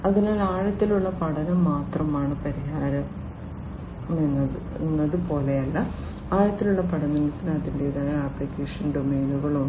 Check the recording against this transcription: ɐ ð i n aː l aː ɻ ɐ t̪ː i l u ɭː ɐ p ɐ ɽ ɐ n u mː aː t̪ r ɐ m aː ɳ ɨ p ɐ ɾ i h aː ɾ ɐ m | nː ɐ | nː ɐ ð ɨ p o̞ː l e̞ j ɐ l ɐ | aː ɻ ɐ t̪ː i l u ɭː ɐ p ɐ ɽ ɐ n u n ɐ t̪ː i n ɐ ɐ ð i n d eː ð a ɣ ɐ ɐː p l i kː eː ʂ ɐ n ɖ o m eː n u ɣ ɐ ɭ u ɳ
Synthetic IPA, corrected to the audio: ɐ ð i n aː l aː ɻ ɐ t̪ː i l u ɭː ɐ p ɐ ɽ ɐ n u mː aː t̪ r ɐ m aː ɳ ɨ p ɐ ɾ i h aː ɾ ɐ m | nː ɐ | nː ɐ ð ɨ p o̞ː l e̞ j ɐ lː ɐ | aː ɻ ɐ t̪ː i l u ɭː ɐ p ɐ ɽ ɐ n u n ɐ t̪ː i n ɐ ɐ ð i n d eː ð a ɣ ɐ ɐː p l i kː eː ʂ ɐ n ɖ o m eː n u ɣ ɐ ɭ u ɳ